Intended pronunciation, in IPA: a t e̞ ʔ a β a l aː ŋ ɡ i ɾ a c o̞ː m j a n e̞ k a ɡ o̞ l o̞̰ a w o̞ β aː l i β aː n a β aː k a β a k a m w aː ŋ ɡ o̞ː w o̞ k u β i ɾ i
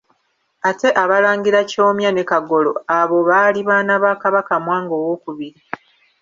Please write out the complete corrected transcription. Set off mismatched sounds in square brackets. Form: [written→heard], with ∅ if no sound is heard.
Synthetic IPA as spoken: a t e̞ ʔ a β a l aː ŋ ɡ i ɾ a c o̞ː m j a n e̞ k a ɡ o̞ l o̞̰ a [w→β] o̞ β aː l i β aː n a β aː k a β a k a m w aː ŋ ɡ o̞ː w o̞ k u β i ɾ i